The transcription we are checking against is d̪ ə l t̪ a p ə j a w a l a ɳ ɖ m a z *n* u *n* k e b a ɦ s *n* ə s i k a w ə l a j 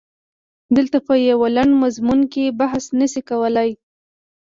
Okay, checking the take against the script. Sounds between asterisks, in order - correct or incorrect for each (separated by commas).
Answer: incorrect, correct, correct